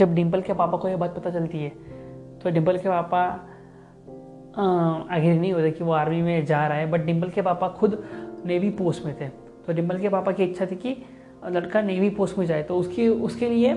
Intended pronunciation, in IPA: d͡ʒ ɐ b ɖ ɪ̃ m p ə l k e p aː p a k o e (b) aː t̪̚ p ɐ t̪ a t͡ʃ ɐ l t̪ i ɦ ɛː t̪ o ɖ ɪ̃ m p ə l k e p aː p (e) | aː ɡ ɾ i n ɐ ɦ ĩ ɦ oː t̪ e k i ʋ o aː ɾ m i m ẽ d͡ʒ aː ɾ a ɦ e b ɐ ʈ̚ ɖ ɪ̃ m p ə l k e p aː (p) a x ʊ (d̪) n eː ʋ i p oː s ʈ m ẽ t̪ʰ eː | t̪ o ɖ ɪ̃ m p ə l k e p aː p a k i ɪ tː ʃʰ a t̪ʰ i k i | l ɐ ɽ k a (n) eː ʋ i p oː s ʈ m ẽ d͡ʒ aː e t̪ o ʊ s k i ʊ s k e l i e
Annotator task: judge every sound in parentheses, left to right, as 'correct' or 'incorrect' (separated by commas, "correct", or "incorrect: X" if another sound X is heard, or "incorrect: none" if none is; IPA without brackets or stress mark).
correct, incorrect: a, correct, correct, correct